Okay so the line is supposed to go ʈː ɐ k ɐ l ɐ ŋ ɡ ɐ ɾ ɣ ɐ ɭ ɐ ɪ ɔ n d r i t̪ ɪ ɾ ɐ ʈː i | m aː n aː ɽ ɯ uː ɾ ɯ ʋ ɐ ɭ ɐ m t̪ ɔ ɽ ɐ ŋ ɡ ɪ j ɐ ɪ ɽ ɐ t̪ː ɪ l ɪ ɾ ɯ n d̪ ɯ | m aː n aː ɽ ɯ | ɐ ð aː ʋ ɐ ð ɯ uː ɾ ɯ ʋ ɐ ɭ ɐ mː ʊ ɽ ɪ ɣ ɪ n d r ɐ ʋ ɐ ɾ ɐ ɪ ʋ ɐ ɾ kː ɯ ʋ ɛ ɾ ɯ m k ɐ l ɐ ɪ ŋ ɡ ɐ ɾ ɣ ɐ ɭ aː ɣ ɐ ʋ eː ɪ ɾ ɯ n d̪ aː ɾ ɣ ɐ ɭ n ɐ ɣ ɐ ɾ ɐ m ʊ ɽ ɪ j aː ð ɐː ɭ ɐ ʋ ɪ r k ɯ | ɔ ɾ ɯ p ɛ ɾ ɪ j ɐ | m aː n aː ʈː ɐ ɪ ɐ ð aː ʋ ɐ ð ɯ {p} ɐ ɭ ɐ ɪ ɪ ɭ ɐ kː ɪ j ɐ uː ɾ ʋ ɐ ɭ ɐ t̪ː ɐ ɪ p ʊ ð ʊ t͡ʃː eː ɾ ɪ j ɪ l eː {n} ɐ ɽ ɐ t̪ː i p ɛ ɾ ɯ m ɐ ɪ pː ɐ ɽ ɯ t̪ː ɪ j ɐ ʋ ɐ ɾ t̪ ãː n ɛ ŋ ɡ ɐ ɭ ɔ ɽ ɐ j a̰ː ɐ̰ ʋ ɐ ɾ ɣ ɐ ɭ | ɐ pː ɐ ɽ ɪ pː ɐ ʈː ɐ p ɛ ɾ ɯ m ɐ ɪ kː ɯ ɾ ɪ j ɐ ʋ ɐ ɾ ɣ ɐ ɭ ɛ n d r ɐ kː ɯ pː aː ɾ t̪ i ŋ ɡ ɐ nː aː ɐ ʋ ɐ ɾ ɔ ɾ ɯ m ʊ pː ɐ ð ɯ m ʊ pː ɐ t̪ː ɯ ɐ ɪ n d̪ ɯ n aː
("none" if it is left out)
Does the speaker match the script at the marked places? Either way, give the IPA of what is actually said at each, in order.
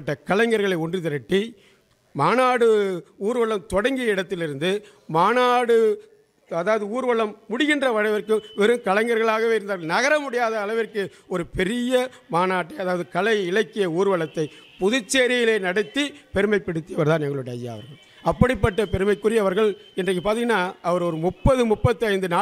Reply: k, n

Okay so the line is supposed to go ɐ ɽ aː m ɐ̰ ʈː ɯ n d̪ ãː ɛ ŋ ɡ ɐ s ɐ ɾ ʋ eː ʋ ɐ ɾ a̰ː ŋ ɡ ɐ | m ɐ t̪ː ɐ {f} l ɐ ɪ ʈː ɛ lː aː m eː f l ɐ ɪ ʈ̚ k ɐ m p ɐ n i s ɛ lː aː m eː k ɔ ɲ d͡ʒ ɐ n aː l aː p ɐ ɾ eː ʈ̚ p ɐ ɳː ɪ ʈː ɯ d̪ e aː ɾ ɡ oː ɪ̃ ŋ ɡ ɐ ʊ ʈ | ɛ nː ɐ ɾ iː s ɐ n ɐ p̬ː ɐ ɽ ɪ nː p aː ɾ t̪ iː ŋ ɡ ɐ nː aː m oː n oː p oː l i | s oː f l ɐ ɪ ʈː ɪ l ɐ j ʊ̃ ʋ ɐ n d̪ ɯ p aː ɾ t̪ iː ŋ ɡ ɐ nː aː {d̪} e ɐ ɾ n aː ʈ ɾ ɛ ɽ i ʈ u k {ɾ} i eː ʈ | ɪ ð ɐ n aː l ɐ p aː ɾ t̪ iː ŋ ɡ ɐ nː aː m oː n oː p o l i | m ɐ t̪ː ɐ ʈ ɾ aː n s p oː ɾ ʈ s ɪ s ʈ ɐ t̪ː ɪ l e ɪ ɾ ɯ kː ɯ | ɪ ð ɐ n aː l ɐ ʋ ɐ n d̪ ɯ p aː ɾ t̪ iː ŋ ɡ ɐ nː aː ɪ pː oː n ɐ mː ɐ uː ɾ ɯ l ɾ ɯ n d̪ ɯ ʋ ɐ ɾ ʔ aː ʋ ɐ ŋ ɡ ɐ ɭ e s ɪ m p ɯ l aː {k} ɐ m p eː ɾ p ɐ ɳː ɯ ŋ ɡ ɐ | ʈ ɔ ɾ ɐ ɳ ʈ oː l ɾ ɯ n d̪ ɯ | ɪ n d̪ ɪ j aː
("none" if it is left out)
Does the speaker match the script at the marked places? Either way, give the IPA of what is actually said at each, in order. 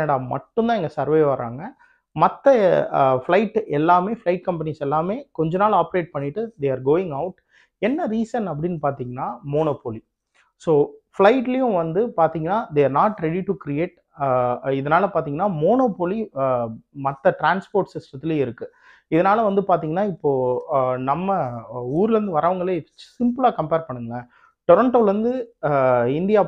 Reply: f, d̪, ɾ, k

